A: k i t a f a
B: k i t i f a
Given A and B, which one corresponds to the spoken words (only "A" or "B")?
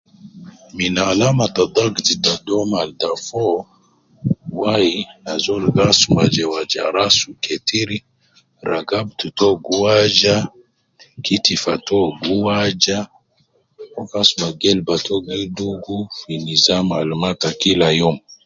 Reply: B